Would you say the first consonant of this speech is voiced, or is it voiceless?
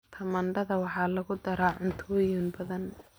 voiceless